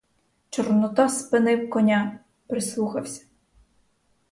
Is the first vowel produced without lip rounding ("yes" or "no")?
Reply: no